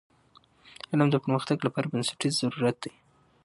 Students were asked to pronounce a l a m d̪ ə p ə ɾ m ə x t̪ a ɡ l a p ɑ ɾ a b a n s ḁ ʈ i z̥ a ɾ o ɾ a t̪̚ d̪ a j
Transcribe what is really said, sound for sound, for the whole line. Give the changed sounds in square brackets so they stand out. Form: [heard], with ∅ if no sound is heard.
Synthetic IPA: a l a m d̪ ə p ə ɾ m ə x t̪ a ɡ l a p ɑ ɾ a b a n s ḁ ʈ i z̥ a ɾ [u] ɾ a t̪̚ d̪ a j

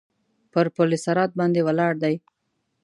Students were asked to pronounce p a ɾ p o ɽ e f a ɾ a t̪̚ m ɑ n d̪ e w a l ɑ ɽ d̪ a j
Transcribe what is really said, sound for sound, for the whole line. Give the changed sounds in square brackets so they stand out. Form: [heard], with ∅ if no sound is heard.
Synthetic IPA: p [ə] ɾ p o [l] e [s] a ɾ [ɑ] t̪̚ [b] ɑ n d̪ e w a l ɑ ɽ d̪ a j

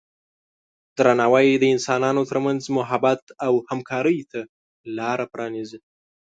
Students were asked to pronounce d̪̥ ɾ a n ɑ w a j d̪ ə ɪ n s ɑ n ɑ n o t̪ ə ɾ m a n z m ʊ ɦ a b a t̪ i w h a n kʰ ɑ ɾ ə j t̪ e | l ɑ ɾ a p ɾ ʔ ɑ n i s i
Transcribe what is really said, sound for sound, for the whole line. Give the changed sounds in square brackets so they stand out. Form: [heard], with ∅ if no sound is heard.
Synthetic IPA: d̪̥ ɾ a n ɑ w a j d̪ ə ɪ n s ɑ n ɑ n o t̪ ə ɾ m a n z m ʊ ɦ a b a t̪ [a] w h a [m] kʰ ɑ ɾ ə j t̪ [a] | l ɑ ɾ a p ɾ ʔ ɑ n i [z] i

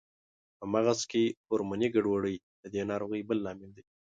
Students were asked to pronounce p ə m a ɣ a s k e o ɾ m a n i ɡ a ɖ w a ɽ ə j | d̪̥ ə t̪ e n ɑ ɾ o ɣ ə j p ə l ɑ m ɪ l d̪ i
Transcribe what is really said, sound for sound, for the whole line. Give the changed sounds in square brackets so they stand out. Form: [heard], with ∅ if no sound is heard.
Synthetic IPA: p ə m a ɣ a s k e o ɾ m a n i ɡ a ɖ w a ɽ ə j | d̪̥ ə [d̪] e n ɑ ɾ o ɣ ə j [b] ə [lː] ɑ m ɪ l d̪ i

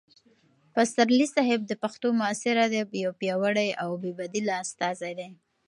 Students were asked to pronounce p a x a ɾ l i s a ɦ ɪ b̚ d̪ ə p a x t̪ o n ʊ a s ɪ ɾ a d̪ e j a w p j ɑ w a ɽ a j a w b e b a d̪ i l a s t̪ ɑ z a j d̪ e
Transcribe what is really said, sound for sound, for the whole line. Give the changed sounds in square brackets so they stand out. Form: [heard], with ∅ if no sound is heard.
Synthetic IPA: p a [s] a ɾ l i s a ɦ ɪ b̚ d̪ ə p a x t̪ o [m] ʊ a s ɪ ɾ a d̪ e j a w p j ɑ w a ɽ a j a w b e b a d̪ i l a s t̪ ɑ z a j d̪ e

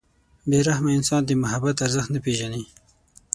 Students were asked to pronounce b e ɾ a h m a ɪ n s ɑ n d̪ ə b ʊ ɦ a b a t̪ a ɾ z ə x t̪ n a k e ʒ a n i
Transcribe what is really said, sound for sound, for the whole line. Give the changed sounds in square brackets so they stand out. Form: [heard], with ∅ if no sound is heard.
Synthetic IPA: b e ɾ a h m a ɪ n s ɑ n d̪ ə [m] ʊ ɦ a b a t̪ a ɾ z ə x t̪ n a [p] e ʒ a n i

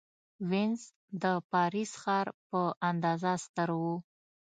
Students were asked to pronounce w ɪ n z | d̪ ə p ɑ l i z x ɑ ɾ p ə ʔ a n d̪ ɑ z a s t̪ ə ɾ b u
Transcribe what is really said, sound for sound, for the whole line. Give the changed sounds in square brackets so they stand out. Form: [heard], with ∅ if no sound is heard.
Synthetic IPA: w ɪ n z | d̪ ə p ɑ [ɾ] i [s] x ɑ ɾ p ə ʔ a n d̪ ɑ z a s t̪ ə ɾ [w] u

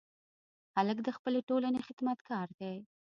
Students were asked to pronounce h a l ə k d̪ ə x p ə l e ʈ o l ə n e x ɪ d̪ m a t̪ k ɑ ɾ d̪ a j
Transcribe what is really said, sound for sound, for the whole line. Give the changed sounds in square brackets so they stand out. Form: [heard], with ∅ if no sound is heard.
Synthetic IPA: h a l ə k d̪ ə x p ə l e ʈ o l [a] n e x ɪ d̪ m a t̪ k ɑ ɾ d̪ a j

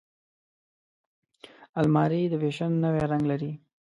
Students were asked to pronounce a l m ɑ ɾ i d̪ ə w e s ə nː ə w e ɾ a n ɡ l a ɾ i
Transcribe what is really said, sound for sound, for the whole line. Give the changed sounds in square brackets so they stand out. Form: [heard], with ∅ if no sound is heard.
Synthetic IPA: a l m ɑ ɾ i d̪ ə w e [ʃ] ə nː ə w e ɾ a [ŋ] ɡ l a ɾ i

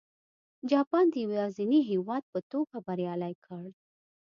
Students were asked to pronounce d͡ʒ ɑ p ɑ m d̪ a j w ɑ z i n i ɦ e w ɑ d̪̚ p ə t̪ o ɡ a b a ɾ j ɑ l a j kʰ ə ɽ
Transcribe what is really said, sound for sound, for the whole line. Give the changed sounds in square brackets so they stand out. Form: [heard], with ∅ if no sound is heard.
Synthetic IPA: d͡ʒ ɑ p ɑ [n] d̪ [ə] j w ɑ z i n i ɦ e w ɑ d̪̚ p ə t̪ o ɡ a b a ɾ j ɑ l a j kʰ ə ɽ

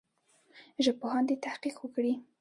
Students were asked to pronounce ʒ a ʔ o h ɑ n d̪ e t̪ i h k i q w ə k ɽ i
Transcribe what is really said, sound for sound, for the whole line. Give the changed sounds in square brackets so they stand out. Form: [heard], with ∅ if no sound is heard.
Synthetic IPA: ʒ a [p] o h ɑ n d̪ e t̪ [a] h [q] i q w ə k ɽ i

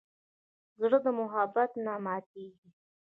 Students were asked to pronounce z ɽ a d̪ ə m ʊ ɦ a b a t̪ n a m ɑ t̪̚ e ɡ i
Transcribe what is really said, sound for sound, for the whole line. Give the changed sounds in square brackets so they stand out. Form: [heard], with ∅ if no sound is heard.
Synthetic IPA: z ɽ [ə] d̪ ə m ʊ ɦ a b a t̪ n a m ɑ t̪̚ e ɡ i

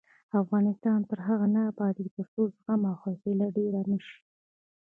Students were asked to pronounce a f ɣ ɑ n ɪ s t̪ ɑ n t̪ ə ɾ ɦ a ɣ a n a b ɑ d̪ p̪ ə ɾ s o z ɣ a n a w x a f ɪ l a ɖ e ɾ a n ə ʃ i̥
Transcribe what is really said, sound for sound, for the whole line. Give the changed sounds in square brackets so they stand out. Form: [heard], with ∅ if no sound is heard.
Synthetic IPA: a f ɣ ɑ n ɪ s t̪ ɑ n t̪ ə ɾ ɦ a ɣ a n a b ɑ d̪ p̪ ə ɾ s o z ɣ a [m] a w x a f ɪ l a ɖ e ɾ a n ə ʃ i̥

